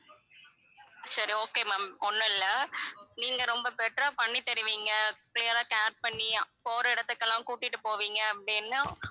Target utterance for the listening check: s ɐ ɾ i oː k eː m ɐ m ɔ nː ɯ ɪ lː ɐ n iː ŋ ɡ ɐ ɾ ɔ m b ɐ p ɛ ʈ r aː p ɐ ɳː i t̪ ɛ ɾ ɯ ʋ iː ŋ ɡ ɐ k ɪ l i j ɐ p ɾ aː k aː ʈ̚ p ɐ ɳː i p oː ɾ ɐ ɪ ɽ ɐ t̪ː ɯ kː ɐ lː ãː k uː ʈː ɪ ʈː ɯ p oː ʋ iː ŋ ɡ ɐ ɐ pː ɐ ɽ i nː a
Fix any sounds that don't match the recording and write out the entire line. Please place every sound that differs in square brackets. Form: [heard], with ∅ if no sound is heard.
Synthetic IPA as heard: s ɐ ɾ i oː k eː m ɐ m ɔ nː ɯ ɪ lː ɐ n iː ŋ ɡ ɐ ɾ ɔ m b ɐ p ɛ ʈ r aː p ɐ ɳː i t̪ ɛ ɾ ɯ ʋ iː ŋ ɡ ɐ k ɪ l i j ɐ [∅] ɾ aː k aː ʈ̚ p ɐ ɳː i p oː ɾ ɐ ɪ ɽ ɐ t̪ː ɯ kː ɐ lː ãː k uː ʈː ɪ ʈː ɯ p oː ʋ iː ŋ ɡ ɐ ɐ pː ɐ ɽ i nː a